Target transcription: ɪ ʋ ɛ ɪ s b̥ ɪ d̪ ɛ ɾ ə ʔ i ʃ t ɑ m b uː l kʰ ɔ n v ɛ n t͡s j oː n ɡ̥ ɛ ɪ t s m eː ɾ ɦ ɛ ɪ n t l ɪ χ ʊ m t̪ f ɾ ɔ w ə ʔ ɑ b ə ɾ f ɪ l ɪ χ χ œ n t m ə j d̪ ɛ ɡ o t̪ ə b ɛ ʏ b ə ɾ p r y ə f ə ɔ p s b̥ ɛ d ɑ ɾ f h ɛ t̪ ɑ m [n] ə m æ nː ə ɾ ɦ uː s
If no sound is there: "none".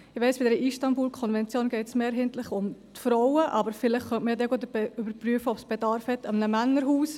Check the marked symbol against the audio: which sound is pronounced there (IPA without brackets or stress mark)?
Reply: n